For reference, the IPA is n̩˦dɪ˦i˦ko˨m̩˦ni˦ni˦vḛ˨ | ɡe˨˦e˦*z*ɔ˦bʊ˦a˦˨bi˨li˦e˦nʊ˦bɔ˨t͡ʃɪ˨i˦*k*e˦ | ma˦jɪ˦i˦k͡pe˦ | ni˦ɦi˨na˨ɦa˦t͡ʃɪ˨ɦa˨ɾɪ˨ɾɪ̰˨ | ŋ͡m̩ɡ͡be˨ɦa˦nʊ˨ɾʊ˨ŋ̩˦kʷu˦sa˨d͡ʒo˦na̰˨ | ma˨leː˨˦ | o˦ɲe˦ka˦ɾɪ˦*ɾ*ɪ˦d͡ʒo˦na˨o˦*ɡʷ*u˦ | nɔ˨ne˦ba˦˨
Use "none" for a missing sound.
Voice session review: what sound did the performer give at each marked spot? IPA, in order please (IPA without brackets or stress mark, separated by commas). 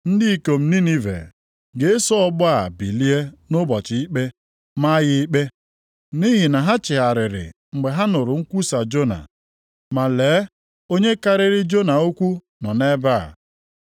s, k͡p, ɾ, kʷ